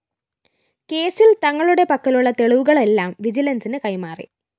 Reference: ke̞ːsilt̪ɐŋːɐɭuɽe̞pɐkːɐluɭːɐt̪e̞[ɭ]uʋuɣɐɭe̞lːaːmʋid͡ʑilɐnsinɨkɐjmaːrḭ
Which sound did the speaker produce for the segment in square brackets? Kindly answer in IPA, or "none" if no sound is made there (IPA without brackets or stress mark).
ɭ